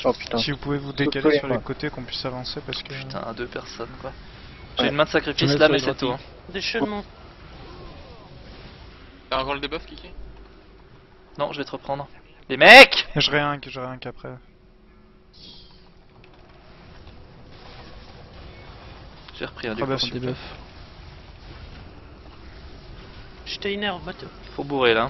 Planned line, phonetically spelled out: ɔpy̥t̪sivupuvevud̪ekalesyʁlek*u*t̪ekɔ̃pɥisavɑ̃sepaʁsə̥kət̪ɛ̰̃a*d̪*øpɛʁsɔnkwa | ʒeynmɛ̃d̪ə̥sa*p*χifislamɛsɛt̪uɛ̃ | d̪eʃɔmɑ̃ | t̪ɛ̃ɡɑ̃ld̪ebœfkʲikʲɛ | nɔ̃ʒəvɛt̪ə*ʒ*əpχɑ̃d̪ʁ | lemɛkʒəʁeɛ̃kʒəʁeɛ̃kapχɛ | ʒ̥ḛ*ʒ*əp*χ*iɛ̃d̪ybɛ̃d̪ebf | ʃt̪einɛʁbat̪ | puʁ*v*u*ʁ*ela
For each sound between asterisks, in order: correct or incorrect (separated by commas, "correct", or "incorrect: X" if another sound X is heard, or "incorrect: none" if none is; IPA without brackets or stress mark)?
incorrect: o, correct, incorrect: k, incorrect: ʁ, incorrect: ʁ, correct, incorrect: b, correct